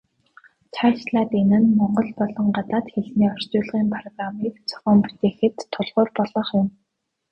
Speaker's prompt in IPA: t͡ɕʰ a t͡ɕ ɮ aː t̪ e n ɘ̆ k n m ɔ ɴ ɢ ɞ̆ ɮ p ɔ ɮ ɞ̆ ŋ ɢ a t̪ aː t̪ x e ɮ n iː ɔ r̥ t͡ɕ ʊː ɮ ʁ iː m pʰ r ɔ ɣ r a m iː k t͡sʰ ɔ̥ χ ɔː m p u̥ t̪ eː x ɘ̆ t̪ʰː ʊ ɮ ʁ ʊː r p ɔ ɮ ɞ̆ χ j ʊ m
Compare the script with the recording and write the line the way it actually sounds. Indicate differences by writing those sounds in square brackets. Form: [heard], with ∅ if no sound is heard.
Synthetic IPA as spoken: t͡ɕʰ a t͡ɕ ɮ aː t̪ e n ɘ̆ [∅] n m ɔ ɴ ɢ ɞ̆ ɮ p ɔ ɮ ɞ̆ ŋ ɢ a t̪ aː t̪ x e ɮ n iː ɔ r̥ t͡ɕ ʊː ɮ ʁ iː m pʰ r ɔ ɣ r a m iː k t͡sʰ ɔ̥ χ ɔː m p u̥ t̪ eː x ɘ̆ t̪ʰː ʊ ɮ ʁ ʊː r p ɔ ɮ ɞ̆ χ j ʊ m

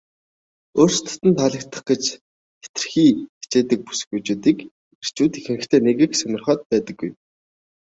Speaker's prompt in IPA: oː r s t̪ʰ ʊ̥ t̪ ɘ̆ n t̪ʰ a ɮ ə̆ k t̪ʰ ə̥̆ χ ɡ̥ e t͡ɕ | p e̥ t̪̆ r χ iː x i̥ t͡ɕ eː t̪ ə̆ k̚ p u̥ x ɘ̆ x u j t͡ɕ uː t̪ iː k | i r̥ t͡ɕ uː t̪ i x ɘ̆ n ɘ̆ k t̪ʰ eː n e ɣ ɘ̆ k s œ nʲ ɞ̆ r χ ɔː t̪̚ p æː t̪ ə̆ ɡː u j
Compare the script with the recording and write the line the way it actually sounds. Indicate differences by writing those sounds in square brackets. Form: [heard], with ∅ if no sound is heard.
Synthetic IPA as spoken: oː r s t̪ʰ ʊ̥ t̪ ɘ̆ n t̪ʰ a ɮ ə̆ k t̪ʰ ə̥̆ χ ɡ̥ e t͡ɕ | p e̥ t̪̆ r [x] iː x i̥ t͡ɕ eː t̪ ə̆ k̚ p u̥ [s] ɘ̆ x u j t͡ɕ uː t̪ iː k | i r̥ t͡ɕ uː t̪ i x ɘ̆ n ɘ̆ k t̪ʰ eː n e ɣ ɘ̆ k s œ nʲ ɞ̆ r χ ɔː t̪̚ p æː t̪ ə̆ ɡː u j

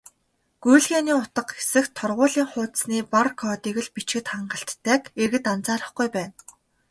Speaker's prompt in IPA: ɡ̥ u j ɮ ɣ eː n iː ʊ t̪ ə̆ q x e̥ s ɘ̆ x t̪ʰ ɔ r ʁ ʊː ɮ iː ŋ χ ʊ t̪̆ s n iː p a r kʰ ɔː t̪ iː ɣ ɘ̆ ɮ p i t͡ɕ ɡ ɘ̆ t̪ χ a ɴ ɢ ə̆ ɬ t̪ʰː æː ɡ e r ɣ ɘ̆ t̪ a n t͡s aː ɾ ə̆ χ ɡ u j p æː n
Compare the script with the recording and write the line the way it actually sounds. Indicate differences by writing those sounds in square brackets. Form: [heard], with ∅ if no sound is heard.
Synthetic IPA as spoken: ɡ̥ u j ɮ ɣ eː n iː ʊ t̪ ə̆ q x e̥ s ɘ̆ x t̪ʰ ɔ r ʁ ʊː ɮ iː ŋ χ [ʊː] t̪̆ s n iː p a r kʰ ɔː t̪ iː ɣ ɘ̆ ɮ p i t͡ɕ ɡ ɘ̆ t̪ χ a ɴ ɢ ə̆ ɬ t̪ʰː æː [k] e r ɣ ɘ̆ t̪ a n t͡s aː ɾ ə̆ χ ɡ u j p æː n

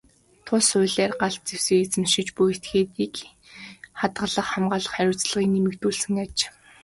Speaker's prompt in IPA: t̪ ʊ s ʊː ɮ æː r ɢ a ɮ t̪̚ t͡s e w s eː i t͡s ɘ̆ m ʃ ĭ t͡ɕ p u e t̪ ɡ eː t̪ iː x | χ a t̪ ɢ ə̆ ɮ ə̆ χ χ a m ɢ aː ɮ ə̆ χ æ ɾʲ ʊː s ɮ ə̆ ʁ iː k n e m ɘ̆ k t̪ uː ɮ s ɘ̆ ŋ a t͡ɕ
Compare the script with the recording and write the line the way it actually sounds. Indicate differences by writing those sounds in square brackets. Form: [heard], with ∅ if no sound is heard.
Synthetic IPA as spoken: [t̪ʰ] ʊ s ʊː ɮ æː r ɢ a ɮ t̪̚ t͡s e w s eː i t͡s ɘ̆ m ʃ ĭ t͡ɕ p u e t̪ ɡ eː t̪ iː [k] | χ a t̪ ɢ ə̆ ɮ ə̆ χ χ a m ɢ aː ɮ ə̆ χ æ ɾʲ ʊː [t͡s] ɮ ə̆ ʁ iː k n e m ɘ̆ k t̪ uː ɮ s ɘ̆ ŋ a t͡ɕ

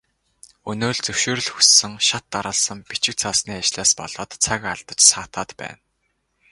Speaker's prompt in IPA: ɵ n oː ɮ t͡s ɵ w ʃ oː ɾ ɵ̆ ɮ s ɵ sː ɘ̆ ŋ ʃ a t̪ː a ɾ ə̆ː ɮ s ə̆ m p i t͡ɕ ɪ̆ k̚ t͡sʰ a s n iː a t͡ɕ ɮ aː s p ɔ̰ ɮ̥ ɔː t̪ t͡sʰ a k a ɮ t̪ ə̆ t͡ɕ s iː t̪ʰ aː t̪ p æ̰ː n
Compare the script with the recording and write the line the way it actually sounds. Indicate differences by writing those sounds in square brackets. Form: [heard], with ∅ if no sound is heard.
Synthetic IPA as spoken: ɵ n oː ɮ t͡s ɵ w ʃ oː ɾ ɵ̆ ɮ [x] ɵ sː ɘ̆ ŋ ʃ a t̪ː a ɾ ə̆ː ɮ s ə̆ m p i t͡ɕ ɪ̆ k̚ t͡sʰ a s n iː a t͡ɕ ɮ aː s p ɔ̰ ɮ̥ ɔː t̪ t͡sʰ a k a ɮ t̪ ə̆ t͡ɕ s [aː] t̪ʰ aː t̪ p æ̰ː n

